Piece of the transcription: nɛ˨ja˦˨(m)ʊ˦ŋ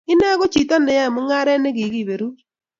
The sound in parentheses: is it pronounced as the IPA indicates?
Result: yes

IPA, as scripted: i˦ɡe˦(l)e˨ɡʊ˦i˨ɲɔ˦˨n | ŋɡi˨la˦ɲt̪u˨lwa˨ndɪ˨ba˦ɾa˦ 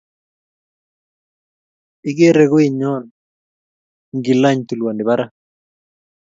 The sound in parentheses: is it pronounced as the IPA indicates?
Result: no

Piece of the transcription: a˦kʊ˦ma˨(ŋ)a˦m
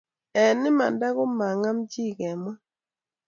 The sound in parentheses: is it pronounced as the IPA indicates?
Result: yes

